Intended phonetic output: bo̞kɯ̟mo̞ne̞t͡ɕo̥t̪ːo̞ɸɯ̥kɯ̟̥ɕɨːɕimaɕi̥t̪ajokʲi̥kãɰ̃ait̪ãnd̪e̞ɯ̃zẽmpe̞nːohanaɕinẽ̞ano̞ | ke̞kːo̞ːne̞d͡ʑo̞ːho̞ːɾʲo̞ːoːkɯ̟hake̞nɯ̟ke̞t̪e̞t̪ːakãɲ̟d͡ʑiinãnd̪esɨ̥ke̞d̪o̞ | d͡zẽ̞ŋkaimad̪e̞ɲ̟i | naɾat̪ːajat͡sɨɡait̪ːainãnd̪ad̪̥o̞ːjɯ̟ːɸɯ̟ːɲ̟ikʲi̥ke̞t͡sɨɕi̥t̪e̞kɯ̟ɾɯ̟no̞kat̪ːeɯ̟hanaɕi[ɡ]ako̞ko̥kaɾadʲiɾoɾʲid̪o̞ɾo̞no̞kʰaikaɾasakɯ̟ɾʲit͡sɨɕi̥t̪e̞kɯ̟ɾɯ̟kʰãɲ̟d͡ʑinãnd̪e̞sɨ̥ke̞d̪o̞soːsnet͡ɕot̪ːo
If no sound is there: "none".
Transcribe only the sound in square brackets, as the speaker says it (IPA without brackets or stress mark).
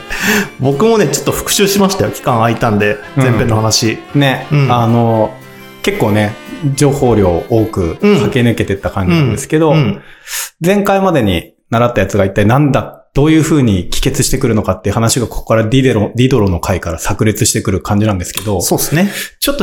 ɡ